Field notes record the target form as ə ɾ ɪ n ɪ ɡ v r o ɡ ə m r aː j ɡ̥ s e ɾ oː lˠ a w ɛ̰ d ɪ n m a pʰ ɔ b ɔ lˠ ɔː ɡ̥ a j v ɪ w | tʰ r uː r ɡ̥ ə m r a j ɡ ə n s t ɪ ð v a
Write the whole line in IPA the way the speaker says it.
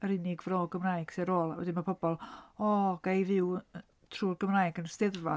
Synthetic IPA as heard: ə ɾ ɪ n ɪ ɡ v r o ɡ ə m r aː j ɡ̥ s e ɾ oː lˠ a w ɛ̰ d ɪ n m a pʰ ɔ b ɔ lˠ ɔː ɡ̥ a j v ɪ w | tʰ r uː r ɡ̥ ə m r a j ɡ ə n s t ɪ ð v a